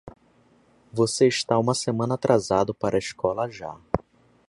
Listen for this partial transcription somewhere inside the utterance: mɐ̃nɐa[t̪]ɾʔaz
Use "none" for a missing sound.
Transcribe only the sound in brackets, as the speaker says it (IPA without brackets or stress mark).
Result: t̪